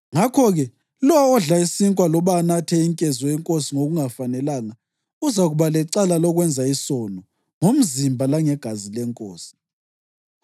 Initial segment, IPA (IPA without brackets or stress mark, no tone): ŋ